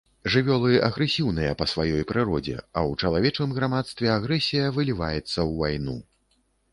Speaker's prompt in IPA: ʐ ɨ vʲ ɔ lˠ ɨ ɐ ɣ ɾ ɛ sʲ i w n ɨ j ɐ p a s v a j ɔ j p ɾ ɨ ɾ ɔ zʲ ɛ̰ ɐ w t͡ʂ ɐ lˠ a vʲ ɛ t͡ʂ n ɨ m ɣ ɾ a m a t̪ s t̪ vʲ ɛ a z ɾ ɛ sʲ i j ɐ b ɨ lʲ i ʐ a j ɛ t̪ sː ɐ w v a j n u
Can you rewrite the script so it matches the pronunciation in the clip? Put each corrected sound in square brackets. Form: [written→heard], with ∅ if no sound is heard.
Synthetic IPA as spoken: ʐ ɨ vʲ ɔ lˠ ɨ ɐ ɣ ɾ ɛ sʲ i w n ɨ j ɐ p [a→ɐ] s v a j ɔ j p ɾ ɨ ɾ ɔ [zʲ→d͡zʲ] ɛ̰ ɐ w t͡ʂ ɐ lˠ a vʲ ɛ t͡ʂ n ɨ m ɣ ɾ a m a t̪ s t̪ vʲ ɛ a [z→ɣ] ɾ ɛ sʲ i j ɐ [b→v] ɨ lʲ i [ʐ→v] a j ɛ t̪ sː ɐ w v a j n u